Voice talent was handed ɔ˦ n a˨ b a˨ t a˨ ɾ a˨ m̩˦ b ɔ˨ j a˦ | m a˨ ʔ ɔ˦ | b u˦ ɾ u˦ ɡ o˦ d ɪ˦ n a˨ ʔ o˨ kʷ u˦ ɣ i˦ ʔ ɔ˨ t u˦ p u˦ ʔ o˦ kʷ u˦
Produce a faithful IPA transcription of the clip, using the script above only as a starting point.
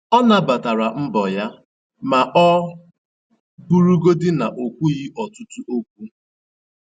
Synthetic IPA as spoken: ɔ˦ n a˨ b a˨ t a˨ ɾ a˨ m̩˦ b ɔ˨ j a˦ | m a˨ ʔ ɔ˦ | b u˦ ɾ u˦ ɡ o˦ d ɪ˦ n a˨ ʔ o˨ kʷ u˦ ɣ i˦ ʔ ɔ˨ t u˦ t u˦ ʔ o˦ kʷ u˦